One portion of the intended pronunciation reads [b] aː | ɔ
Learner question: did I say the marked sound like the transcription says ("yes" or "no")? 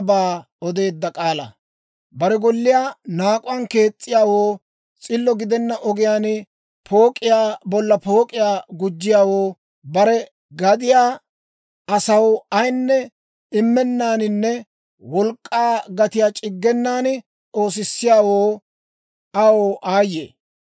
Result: yes